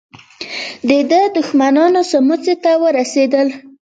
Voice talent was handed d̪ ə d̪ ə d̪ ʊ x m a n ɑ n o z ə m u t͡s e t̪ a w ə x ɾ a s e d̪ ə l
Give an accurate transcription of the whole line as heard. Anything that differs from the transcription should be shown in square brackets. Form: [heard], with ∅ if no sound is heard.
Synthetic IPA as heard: d̪ ə d̪ ə d̪ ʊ x m a n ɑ n o [s] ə m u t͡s e t̪ a w ə [∅] ɾ a s e d̪ ə l